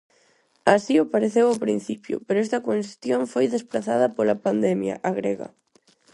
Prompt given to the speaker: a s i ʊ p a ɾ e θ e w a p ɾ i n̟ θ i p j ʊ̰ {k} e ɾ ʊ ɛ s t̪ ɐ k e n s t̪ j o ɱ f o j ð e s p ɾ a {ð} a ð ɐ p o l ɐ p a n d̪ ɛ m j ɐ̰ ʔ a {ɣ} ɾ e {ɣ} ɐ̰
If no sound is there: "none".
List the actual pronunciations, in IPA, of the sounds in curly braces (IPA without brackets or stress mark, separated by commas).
p, θ, ɣ, ɣ